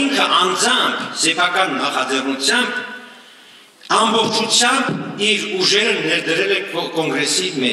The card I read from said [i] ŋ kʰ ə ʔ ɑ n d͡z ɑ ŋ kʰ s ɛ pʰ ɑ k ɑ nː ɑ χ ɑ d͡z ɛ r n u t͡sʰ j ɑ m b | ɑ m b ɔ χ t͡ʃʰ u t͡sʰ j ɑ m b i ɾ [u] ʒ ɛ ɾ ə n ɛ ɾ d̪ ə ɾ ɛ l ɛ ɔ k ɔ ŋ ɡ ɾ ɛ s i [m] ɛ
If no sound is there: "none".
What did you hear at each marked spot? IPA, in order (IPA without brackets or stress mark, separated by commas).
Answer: i, u, m